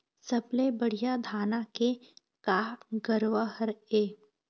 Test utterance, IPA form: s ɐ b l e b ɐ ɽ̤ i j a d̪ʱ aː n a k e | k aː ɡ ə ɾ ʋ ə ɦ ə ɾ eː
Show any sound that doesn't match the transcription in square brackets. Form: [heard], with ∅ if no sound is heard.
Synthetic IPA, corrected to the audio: s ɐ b l e b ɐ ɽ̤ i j a d̪ʱ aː n a k e | k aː ɡ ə ɾ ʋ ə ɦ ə ɾ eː